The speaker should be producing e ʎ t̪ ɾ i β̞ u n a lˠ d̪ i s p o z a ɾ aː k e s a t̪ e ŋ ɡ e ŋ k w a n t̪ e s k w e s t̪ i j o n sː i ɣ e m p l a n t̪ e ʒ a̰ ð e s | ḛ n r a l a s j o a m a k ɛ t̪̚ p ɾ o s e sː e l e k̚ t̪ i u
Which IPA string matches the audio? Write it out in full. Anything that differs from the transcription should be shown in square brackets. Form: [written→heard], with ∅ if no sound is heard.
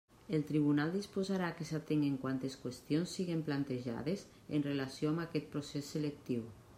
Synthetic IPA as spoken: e [ʎ→l] t̪ ɾ i β̞ u n a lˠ d̪ i s p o z a ɾ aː k e s a t̪ e ŋ ɡ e ŋ k w a n t̪ e s k w e s t̪ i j o n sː i ɣ e m p l a n t̪ e ʒ a̰ ð e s | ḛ n r [a→e] l a s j o a m a k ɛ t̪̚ p ɾ o s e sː e l e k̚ t̪ i [u→w]